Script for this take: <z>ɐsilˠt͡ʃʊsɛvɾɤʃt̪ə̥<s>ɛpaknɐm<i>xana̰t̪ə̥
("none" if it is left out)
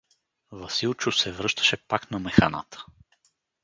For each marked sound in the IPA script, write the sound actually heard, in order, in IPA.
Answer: v, ʃ, ɛ

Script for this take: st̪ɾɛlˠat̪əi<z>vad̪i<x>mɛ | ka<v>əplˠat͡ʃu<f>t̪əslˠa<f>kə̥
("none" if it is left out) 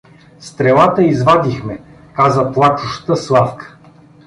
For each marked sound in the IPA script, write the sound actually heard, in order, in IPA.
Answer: z, x, z, ʃ, f

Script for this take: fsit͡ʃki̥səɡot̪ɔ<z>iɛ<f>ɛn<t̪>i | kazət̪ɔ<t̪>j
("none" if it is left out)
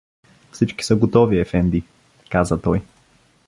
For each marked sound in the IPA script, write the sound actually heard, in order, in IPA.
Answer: v, f, d̪, none

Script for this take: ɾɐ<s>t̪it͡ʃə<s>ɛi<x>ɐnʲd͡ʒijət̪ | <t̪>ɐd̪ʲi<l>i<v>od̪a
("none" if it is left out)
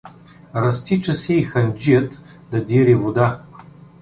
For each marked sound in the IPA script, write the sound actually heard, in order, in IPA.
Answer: s, s, x, d̪, ɾ, v

